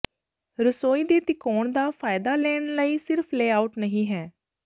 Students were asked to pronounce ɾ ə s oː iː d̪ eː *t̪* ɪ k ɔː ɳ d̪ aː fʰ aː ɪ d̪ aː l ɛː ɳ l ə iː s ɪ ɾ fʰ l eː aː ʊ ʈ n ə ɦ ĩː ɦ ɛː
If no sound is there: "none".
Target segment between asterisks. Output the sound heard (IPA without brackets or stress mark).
t̪